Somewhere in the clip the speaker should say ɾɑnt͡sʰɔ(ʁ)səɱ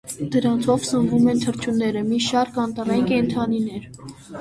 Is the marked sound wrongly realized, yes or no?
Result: yes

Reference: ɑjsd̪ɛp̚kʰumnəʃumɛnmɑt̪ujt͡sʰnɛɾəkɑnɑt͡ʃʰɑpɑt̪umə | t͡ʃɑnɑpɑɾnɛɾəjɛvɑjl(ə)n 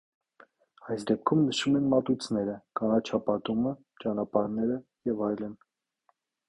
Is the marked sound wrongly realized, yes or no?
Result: no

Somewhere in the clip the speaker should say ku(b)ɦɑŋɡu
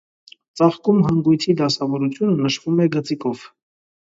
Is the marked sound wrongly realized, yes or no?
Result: yes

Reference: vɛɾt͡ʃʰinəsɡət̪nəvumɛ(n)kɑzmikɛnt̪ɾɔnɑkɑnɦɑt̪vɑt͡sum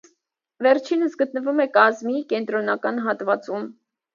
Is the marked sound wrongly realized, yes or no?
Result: yes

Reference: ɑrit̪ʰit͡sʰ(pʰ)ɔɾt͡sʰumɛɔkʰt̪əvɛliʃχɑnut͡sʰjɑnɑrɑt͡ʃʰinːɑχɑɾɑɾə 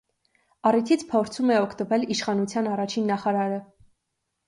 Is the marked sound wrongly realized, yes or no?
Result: no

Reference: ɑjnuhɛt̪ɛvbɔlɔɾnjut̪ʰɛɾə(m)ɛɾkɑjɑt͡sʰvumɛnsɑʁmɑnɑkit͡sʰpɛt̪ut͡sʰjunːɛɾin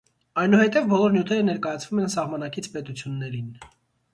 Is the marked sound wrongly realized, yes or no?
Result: yes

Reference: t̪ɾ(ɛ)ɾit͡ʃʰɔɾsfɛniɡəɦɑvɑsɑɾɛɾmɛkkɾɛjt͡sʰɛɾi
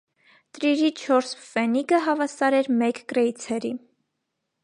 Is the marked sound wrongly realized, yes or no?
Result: yes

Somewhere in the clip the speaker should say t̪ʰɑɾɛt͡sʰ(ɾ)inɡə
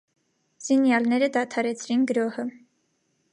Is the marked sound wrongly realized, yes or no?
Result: no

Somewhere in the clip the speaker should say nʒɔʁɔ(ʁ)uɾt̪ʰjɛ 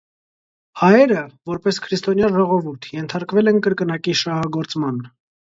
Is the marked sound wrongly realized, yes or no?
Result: yes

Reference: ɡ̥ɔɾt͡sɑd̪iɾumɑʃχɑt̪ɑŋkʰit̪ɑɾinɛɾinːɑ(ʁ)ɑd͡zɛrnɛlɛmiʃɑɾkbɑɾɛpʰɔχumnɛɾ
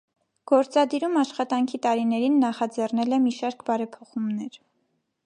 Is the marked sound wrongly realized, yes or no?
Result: yes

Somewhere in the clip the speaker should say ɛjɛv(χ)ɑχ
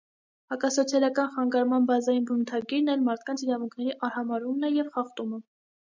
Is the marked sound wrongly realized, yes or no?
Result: no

